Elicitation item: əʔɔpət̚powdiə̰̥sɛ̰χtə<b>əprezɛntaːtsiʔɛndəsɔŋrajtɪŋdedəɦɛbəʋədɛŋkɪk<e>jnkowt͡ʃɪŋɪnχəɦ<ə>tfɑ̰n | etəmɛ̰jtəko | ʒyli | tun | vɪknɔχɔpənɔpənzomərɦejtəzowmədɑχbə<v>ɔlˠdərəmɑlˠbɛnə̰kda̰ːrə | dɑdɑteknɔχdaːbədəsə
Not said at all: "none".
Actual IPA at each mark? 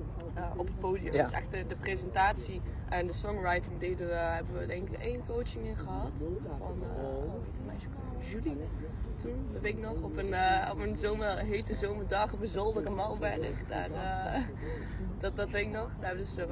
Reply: d, e, ɑ, z

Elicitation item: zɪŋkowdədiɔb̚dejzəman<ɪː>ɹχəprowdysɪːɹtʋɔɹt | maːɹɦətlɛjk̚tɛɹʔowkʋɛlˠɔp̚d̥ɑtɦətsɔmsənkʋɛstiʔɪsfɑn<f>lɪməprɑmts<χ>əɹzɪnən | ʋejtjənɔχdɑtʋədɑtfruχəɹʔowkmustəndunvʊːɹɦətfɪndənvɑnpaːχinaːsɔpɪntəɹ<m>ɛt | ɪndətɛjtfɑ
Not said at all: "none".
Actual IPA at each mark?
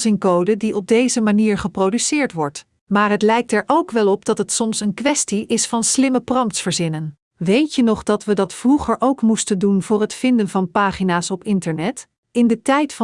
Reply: iː, s, f, n

